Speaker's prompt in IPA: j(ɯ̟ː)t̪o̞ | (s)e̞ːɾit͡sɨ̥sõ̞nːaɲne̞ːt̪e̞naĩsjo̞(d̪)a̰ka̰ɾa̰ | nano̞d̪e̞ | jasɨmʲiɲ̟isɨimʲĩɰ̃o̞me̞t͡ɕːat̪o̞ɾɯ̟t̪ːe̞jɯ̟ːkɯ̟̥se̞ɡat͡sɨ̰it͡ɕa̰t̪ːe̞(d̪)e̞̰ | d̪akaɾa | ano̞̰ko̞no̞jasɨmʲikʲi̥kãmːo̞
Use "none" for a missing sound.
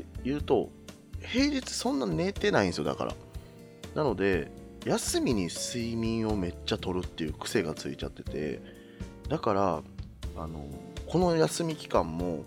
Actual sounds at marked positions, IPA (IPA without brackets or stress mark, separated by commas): ɯ̟ː, h, d̪, t̪